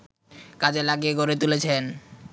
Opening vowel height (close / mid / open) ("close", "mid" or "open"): open